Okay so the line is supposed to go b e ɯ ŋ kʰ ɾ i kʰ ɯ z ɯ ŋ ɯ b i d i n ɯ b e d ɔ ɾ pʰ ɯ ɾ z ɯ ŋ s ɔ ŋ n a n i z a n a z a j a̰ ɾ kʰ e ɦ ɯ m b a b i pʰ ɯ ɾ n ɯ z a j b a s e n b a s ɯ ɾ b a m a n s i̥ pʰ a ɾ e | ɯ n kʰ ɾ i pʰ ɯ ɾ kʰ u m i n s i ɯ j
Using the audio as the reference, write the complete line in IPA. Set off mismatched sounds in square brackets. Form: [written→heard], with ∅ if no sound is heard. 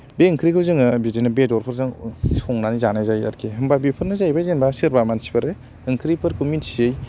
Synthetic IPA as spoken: b e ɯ ŋ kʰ ɾ i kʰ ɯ z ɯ ŋ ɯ b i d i n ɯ b e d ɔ ɾ pʰ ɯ ɾ z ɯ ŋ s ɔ ŋ n a n i z a n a z a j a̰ ɾ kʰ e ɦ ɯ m b a b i pʰ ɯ ɾ n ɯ z a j b a [s→z] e n b a s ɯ ɾ b a m a n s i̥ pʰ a ɾ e | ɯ [n→ŋ] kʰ ɾ i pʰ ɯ ɾ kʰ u m i n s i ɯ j